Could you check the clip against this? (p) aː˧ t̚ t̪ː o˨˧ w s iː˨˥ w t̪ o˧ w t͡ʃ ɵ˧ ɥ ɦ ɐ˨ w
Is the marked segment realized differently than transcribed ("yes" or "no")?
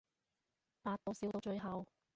no